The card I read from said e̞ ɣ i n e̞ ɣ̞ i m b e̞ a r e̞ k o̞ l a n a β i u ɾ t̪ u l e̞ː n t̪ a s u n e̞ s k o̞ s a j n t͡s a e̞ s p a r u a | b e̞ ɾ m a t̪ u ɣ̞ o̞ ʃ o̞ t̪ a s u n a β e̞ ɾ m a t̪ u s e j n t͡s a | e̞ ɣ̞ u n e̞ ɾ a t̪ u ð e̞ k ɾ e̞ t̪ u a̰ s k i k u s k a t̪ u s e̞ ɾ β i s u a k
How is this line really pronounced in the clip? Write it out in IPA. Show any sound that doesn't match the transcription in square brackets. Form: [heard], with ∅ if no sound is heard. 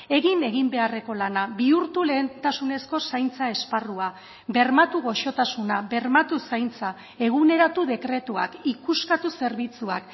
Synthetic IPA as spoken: e̞ ɣ i n e̞ ɣ̞ i m b e̞ a r e̞ k o̞ l a n a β i u ɾ t̪ u l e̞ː n t̪ a s u n e̞ s k o̞ s a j n t͡s a e̞ s p a r u a | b e̞ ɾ m a t̪ u ɣ̞ o̞ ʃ o̞ t̪ a s u n a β e̞ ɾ m a t̪ u s [a] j n t͡s a | e̞ ɣ̞ u n e̞ ɾ a t̪ u ð e̞ k ɾ e̞ t̪ u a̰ [∅] k i k u s k a t̪ u s e̞ ɾ β i [t͡s] u a k